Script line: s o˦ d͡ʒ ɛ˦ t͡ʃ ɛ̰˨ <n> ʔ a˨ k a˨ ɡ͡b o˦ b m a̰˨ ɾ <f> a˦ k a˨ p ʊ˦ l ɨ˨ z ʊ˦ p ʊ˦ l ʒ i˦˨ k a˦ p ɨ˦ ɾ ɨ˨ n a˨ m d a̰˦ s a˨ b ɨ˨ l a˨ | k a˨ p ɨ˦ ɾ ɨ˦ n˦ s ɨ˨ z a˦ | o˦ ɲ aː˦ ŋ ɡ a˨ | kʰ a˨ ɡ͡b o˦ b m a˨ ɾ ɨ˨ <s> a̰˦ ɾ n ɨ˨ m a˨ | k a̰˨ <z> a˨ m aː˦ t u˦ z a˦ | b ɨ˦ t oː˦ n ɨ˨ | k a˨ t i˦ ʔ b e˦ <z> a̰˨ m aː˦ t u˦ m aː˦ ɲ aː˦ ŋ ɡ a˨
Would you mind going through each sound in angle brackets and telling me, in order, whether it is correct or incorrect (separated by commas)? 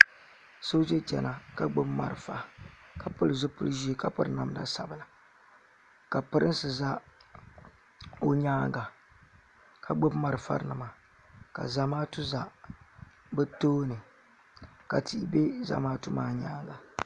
correct, correct, incorrect, correct, correct